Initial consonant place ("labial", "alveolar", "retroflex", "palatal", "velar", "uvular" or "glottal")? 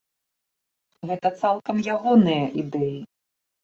velar